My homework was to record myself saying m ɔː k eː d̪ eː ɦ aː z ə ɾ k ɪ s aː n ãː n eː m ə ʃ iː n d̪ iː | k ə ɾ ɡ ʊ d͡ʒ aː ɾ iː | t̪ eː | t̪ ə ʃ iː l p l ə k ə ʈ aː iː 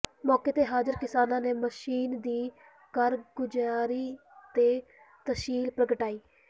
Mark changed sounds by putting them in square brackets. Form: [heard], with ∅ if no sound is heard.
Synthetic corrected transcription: m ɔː k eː [t̪] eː ɦ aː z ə ɾ k ɪ s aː n ãː n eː m ə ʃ iː n d̪ iː | k ə ɾ ɡ ʊ d͡ʒ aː ɾ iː | t̪ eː | t̪ ə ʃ iː l p [ɾ] ə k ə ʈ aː iː